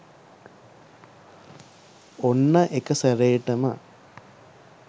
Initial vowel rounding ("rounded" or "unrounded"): rounded